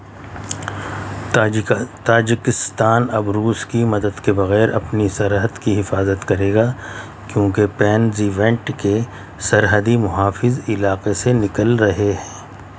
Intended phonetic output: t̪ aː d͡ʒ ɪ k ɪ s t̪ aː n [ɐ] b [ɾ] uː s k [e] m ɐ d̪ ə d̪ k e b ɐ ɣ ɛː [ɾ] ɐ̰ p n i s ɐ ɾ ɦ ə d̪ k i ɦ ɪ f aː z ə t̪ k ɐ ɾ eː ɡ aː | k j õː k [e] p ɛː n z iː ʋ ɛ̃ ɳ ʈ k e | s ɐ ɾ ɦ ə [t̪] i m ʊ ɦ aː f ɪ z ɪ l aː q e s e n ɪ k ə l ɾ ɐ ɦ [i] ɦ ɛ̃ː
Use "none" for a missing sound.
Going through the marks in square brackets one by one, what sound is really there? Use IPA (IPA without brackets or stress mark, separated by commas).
ɐ, ɾ, i, ɾ, e, d̪, e